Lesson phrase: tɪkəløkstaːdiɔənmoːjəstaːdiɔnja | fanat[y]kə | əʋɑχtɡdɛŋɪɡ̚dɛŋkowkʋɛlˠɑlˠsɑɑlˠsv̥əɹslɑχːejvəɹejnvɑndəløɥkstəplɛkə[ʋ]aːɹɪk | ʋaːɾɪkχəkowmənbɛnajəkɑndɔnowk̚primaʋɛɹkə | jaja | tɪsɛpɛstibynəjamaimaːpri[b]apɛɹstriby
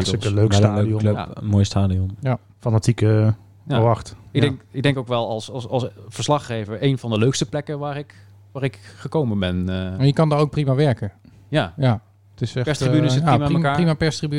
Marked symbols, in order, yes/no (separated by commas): no, yes, no